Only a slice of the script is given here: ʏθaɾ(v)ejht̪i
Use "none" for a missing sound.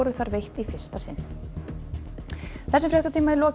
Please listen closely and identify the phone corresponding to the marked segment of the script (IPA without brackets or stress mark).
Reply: v